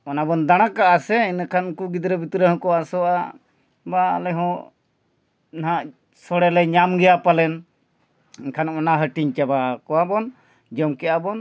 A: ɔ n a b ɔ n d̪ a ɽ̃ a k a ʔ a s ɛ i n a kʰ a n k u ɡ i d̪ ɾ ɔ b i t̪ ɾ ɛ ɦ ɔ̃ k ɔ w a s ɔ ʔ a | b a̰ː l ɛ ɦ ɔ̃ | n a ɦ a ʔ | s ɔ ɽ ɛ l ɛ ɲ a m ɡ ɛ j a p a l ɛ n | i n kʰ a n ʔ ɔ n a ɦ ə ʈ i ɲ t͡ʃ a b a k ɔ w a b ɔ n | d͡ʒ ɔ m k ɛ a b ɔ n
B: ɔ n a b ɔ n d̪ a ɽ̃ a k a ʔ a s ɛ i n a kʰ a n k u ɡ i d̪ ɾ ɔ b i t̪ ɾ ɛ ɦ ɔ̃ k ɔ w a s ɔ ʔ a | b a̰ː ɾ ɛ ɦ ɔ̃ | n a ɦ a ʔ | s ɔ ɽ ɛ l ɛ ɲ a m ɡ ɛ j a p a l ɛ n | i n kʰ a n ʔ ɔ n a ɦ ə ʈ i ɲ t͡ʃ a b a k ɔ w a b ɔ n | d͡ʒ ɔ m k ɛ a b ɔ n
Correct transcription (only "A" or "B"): A